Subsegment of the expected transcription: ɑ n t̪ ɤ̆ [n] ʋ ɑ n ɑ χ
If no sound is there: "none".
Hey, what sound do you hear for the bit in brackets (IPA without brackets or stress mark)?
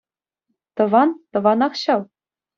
none